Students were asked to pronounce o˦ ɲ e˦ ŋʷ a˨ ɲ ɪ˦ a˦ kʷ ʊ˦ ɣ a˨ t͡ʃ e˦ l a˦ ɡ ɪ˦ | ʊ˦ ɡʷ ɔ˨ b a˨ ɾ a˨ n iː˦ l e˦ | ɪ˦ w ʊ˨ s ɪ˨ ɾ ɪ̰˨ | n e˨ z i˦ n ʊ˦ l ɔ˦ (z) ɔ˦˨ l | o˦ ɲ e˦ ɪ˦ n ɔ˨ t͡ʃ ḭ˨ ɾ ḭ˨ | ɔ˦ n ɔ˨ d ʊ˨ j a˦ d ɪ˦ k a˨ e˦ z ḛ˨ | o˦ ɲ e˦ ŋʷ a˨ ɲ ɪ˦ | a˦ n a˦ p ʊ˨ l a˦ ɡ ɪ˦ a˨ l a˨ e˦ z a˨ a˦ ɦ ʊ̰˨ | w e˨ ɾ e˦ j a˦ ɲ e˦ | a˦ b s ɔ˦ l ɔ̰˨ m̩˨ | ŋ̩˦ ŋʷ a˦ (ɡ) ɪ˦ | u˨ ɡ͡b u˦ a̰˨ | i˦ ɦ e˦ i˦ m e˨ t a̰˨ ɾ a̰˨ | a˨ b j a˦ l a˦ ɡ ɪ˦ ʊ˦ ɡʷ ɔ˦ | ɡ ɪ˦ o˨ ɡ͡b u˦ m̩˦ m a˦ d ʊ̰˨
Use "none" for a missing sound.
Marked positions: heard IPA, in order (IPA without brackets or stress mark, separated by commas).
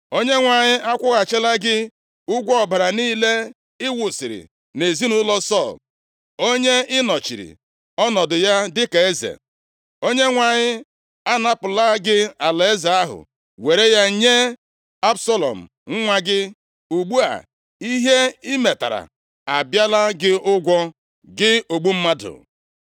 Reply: s, ɡ